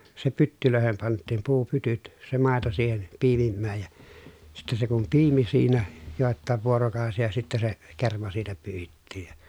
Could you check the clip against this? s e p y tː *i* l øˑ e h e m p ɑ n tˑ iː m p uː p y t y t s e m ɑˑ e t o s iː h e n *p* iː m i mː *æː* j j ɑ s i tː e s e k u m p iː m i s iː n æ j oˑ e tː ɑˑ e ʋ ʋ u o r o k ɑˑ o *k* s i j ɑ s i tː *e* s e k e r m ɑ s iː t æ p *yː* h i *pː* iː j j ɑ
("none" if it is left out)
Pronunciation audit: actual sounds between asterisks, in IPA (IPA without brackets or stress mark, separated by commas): y, p, æː, none, æ, yː, tː